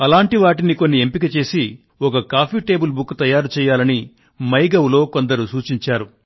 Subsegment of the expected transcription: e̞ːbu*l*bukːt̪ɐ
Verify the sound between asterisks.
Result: correct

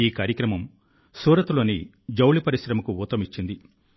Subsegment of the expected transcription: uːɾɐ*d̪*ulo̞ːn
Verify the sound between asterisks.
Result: incorrect: t̪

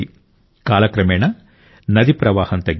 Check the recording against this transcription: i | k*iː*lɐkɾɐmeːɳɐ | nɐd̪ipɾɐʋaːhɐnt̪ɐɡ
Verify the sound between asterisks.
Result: incorrect: aː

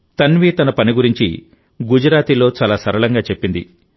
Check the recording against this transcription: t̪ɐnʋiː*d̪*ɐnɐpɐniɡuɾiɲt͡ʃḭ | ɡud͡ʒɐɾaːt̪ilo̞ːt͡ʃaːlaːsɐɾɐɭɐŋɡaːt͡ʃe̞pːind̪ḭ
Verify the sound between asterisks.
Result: incorrect: t̪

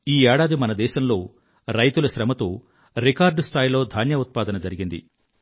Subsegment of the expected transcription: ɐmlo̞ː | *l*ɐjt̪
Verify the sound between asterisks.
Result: incorrect: ɾ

